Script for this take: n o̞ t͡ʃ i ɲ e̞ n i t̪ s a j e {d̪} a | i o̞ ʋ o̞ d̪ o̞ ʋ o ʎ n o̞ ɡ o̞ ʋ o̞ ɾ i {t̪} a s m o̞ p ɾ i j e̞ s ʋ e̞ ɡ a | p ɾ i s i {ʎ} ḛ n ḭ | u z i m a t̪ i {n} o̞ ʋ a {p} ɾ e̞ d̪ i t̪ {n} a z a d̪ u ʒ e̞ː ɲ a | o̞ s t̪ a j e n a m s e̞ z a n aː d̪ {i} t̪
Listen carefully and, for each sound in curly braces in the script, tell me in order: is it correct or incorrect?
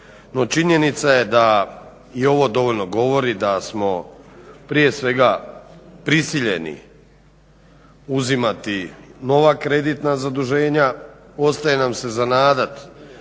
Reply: correct, incorrect: d̪, correct, correct, incorrect: k, correct, incorrect: a

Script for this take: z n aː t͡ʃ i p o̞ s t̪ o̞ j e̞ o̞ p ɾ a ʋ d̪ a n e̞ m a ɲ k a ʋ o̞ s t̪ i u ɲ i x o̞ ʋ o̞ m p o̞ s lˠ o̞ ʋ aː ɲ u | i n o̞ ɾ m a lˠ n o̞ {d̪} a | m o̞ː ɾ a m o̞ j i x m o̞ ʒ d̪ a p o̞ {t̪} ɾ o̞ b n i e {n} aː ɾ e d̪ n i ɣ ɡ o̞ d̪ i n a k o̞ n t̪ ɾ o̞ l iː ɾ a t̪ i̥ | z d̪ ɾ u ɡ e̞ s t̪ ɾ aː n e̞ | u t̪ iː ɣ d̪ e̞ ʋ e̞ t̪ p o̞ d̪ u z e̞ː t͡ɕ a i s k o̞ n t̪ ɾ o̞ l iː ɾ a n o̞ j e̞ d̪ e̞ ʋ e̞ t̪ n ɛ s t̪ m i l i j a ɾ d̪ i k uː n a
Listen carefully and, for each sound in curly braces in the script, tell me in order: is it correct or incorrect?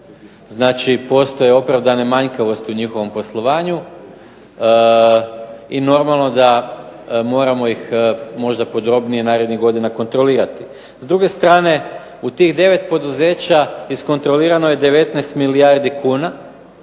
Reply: correct, incorrect: d̪, correct

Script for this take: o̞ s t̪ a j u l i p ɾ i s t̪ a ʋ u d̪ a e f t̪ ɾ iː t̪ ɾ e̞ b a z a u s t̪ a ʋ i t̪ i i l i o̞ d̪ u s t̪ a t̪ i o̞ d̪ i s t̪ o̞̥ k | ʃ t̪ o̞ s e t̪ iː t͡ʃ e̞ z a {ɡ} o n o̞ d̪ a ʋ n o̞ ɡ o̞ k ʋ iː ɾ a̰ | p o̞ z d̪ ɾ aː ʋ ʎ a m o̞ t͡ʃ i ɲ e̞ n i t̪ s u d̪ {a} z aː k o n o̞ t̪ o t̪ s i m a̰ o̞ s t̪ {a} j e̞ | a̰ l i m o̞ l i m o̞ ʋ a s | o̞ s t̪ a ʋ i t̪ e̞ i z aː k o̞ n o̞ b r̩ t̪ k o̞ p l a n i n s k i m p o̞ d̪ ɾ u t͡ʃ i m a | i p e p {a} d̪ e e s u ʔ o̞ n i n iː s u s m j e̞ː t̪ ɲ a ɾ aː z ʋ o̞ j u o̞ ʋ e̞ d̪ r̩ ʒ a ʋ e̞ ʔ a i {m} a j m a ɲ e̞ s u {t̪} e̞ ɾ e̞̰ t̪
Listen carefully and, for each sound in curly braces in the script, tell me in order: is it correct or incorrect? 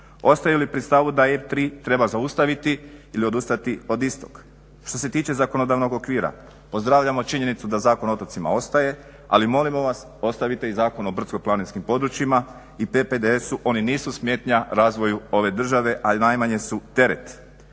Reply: incorrect: k, correct, correct, incorrect: e, incorrect: n, correct

